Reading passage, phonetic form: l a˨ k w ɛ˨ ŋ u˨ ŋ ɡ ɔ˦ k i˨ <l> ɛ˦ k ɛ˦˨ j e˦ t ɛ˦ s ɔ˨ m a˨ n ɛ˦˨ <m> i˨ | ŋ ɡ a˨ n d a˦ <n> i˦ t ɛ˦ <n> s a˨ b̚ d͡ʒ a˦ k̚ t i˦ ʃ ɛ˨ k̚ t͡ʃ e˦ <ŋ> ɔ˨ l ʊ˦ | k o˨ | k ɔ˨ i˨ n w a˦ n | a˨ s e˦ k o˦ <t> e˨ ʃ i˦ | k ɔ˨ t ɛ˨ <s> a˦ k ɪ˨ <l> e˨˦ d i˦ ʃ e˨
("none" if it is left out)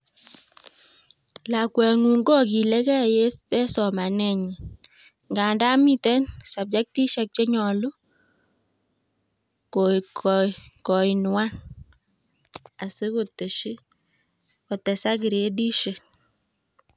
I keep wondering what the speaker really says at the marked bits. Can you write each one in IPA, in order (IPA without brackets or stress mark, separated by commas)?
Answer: l, ɲ, m, n, ɲ, t, s, ɾ